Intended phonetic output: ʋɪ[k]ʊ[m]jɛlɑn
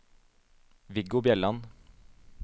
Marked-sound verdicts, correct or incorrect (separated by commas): incorrect, incorrect